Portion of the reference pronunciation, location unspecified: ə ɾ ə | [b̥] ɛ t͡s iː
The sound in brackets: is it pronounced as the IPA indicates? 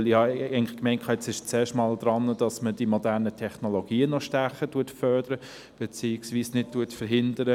yes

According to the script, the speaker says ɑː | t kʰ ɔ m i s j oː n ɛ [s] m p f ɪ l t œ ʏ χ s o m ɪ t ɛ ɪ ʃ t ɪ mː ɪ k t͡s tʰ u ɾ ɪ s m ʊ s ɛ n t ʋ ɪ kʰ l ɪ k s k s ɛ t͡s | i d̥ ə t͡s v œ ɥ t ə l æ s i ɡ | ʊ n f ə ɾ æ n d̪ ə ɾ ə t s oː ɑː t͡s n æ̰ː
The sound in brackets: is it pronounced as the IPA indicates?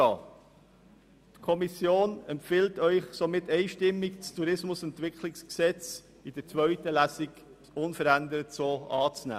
no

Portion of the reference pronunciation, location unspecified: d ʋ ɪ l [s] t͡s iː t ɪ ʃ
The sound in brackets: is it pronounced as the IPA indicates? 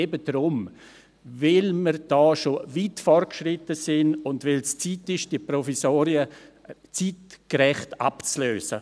yes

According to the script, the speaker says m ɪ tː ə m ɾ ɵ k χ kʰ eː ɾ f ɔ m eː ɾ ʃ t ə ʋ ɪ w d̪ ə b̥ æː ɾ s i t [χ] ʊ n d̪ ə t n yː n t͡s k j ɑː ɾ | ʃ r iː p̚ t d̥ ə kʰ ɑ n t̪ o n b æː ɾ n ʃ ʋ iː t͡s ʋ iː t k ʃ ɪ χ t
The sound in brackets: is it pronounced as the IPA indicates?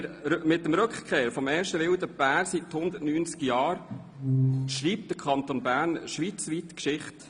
no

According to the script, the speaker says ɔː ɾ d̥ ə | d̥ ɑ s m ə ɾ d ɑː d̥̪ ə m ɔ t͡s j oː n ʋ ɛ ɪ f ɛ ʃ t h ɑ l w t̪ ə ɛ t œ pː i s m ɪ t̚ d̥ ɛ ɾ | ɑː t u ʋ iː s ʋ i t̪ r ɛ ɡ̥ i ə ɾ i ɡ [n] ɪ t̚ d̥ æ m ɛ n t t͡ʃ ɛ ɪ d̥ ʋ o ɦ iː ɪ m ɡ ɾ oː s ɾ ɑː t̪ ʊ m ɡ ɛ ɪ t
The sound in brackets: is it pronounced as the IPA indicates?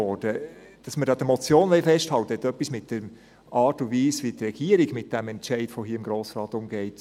no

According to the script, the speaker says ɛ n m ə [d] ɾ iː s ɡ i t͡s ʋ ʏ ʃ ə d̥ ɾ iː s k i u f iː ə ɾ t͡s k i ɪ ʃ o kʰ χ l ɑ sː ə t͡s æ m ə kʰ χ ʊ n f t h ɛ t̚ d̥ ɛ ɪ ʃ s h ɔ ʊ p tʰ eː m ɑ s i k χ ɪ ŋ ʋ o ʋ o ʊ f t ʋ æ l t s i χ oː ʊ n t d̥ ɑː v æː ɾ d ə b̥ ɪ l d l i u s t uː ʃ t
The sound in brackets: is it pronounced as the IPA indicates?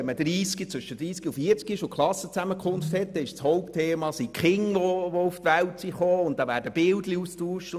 yes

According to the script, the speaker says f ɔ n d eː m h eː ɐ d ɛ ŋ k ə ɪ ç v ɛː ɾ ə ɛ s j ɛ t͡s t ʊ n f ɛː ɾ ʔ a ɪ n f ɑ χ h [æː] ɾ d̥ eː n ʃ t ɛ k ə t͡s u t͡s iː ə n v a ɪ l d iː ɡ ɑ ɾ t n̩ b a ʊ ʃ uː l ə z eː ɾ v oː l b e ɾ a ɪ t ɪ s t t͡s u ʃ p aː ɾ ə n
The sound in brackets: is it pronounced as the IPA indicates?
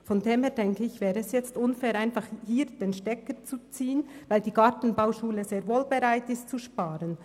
no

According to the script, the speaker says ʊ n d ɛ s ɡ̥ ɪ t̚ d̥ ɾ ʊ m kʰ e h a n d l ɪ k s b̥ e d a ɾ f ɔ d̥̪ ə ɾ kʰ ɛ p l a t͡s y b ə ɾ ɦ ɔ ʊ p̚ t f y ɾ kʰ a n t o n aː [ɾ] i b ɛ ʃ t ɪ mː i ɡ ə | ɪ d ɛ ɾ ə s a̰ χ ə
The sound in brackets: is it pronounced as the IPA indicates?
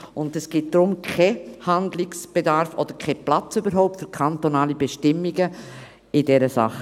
no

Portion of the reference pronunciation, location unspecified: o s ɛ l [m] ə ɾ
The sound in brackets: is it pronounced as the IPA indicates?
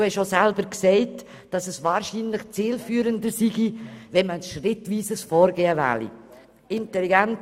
no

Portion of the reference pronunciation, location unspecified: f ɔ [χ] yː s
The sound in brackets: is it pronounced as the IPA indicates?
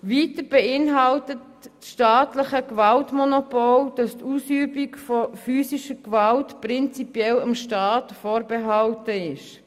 no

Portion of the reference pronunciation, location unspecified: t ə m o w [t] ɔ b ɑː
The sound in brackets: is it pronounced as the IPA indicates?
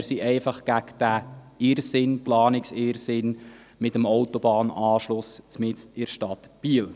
yes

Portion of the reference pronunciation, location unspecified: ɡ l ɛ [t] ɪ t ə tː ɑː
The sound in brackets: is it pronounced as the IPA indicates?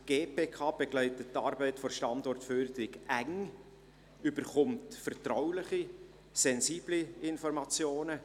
no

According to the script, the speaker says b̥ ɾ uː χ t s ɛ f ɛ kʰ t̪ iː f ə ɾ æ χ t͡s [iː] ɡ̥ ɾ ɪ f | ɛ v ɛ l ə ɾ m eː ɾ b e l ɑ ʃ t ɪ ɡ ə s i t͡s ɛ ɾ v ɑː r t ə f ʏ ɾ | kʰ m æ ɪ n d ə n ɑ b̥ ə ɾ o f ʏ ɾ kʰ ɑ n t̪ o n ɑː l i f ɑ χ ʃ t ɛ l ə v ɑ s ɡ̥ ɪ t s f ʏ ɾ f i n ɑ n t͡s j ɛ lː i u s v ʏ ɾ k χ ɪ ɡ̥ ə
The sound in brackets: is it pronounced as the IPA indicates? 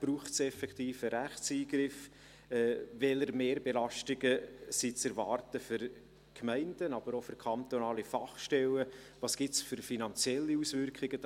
yes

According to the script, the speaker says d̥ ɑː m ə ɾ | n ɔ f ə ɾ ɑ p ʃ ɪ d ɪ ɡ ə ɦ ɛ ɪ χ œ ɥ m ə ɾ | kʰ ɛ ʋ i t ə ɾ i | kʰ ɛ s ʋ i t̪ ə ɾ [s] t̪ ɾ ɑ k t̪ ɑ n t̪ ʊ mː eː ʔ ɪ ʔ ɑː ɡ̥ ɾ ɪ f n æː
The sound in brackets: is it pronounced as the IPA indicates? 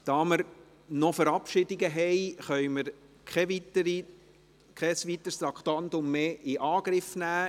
yes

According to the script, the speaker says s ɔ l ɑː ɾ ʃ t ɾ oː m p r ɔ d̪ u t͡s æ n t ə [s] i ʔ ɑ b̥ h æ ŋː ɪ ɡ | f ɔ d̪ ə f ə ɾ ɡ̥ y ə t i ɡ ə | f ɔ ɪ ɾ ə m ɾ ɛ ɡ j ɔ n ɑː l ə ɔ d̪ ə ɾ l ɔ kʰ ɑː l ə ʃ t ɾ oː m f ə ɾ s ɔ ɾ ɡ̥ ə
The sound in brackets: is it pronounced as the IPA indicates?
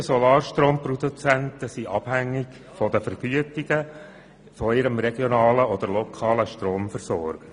yes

